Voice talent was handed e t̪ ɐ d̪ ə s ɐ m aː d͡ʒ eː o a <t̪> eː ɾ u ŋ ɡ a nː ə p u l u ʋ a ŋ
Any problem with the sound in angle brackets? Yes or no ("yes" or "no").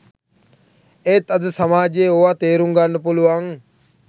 no